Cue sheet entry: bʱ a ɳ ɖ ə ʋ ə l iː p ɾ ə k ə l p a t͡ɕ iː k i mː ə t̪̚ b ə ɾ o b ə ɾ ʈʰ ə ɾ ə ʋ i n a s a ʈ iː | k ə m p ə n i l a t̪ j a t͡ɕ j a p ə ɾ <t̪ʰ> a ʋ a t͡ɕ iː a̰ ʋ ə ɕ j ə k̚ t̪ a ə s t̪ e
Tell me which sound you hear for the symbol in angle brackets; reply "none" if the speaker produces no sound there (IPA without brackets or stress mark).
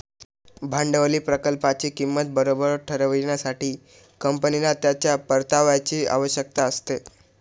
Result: t̪